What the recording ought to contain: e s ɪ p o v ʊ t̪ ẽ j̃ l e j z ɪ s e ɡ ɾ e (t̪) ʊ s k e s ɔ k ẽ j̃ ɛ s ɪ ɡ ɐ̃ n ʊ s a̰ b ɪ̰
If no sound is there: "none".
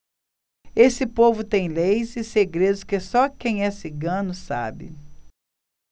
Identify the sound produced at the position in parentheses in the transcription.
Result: d̪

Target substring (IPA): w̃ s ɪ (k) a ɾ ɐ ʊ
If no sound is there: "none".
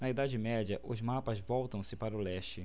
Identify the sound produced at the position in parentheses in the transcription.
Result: p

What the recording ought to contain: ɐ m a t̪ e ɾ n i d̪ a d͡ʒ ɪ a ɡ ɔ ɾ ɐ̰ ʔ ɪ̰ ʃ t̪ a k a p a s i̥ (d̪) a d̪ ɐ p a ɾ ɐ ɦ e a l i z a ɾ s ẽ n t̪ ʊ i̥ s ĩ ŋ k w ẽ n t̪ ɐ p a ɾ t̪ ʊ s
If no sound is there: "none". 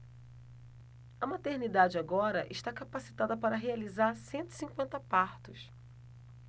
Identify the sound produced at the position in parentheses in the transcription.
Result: t̪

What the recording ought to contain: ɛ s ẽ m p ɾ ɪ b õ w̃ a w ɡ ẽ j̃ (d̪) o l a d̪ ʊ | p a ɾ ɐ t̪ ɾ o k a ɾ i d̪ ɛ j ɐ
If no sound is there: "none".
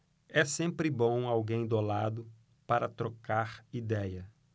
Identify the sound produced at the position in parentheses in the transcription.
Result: d̪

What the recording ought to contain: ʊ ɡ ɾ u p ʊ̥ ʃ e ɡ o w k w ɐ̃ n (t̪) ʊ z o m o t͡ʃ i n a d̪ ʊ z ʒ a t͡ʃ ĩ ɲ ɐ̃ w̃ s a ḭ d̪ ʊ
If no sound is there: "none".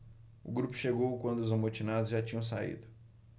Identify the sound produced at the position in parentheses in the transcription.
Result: d̪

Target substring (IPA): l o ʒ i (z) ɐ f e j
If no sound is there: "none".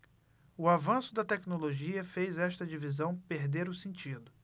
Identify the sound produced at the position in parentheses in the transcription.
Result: none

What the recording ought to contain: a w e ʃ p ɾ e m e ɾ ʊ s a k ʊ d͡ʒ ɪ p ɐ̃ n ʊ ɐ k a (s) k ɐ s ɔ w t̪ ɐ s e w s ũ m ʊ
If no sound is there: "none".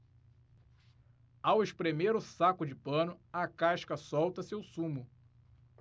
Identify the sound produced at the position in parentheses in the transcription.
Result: ʃ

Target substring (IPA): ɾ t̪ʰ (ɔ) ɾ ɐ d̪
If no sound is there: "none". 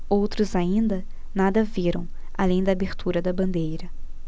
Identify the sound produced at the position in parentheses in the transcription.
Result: u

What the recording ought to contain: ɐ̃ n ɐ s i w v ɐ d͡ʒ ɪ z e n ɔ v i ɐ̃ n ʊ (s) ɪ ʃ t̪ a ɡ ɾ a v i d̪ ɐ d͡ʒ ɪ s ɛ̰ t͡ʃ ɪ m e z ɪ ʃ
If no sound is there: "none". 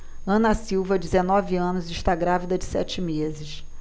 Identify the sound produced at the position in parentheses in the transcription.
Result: z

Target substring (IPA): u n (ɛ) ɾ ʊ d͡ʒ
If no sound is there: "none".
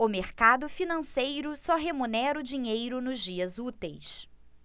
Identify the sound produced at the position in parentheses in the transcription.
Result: ɛ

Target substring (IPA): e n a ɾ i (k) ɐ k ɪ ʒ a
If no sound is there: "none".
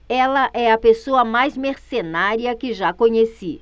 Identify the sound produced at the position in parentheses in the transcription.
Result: none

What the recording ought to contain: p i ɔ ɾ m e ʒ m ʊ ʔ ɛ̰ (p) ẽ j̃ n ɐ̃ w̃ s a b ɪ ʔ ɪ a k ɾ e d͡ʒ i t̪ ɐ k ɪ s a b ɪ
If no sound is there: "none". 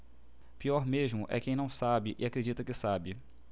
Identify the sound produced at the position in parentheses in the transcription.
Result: k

